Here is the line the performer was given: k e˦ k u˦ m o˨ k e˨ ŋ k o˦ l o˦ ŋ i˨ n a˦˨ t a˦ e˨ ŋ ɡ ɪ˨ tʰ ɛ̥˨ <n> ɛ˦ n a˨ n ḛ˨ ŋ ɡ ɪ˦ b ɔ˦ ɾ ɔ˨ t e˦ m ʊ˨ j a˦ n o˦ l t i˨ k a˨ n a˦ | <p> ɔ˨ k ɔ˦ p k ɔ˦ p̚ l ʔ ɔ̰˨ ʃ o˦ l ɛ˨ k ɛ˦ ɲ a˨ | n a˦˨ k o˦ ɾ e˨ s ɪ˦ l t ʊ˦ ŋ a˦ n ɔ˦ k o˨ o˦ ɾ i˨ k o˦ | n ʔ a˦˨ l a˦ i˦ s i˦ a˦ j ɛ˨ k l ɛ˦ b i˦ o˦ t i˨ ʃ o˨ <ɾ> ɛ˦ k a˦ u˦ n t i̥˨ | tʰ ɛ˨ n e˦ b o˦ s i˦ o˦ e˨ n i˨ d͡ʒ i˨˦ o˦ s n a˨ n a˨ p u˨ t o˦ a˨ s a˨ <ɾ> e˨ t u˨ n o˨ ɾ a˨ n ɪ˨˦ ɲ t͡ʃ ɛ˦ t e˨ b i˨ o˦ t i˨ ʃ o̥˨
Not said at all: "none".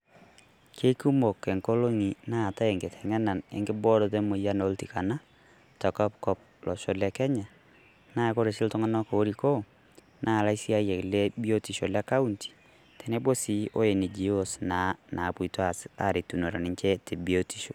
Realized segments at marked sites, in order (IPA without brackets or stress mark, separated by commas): ŋ, t, l, ɾ